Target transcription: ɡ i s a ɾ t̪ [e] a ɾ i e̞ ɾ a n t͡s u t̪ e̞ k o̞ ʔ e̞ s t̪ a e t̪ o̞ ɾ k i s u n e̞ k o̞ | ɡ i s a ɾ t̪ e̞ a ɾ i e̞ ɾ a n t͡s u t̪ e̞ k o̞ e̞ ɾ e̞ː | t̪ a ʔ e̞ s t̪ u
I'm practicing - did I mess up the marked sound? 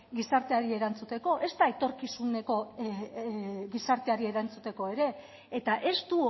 no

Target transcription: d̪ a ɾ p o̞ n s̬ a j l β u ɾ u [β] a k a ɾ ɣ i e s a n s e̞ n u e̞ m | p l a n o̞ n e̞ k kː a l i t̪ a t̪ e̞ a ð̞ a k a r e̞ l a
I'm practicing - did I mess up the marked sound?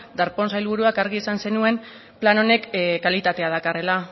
yes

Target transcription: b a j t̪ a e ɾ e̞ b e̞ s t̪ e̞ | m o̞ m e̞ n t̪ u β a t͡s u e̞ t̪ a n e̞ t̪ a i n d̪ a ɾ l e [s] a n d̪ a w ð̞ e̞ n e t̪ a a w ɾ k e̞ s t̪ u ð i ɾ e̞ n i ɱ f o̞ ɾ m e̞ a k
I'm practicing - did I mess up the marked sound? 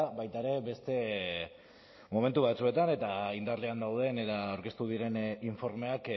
yes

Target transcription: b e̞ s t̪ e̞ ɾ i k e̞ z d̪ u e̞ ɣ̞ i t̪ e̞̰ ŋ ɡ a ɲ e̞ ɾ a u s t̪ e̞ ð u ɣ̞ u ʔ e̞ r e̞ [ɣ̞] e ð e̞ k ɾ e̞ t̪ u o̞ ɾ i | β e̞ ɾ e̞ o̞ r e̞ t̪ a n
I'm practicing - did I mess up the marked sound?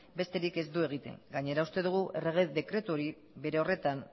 no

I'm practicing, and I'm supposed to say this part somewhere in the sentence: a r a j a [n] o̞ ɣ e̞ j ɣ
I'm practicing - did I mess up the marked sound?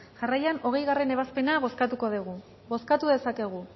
no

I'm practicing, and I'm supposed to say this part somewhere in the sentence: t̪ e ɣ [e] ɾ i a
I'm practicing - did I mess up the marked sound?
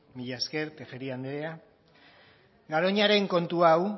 no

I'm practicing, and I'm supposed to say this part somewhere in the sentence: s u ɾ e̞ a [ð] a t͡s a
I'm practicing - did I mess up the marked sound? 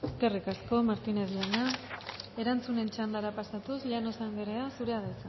no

